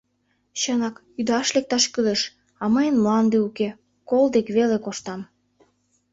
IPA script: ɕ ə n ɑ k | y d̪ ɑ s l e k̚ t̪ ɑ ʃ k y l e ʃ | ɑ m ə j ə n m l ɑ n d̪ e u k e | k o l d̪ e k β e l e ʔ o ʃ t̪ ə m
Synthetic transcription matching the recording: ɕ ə n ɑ k | y d̪ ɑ ʃ l e k̚ t̪ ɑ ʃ k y l e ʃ | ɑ m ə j ə n m l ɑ n d̪ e u k e | k o l d̪ e k β e l e k o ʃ t̪ ɑ m